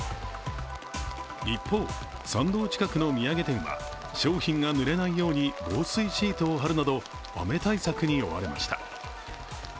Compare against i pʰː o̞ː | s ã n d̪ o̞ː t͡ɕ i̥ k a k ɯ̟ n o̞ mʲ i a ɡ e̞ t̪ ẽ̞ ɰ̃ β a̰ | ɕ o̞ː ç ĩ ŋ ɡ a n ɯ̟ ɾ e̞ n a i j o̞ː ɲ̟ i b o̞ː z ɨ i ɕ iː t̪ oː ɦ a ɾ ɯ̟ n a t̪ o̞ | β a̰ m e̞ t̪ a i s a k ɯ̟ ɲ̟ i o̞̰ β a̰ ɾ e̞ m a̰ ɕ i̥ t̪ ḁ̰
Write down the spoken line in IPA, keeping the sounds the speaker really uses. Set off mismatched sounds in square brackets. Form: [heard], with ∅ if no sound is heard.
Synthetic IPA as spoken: i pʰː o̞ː | s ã n d̪ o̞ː t͡ɕ i̥ k a k ɯ̟ n o̞ mʲ i a ɡ e̞ t̪ ẽ̞ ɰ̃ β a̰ | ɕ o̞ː ç ĩ ŋ ɡ a n ɯ̟ ɾ e̞ n a i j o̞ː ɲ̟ i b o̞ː [s] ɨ i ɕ iː t̪ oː ɦ a ɾ ɯ̟ n a [d̪] o̞ | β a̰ m e̞ t̪ a i s a k ɯ̟ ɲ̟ i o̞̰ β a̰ ɾ e̞ m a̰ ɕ i̥ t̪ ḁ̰